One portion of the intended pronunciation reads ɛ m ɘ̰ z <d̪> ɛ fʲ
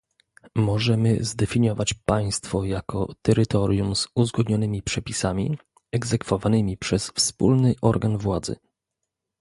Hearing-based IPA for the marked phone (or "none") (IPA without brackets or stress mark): d̪